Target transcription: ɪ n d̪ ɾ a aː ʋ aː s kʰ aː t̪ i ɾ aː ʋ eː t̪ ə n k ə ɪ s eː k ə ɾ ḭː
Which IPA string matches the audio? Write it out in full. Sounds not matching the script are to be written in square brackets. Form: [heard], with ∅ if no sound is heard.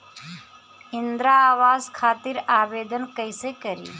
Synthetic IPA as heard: ɪ n d̪ ɾ a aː ʋ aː [z] kʰ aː t̪ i ɾ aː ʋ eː [d̪] ə n k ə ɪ s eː k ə ɾ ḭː